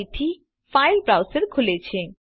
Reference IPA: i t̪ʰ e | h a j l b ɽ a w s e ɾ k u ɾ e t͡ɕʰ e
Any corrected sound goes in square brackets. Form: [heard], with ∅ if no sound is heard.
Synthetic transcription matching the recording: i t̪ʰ [i] | [f] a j l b [ɾ] a w s e ɾ [kʰ] u [l] e t͡ɕʰ e